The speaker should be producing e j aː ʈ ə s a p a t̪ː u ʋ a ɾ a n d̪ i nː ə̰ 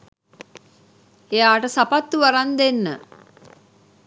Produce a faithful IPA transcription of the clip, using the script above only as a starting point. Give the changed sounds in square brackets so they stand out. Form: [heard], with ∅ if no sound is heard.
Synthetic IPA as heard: e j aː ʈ ə s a p a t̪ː u ʋ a ɾ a n d̪ [e] nː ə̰